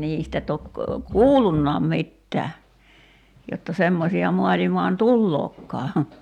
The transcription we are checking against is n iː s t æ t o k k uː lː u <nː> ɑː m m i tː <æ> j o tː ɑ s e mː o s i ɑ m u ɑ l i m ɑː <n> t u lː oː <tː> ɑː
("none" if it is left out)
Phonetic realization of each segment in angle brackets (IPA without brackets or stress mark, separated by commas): nː, æː, n, kː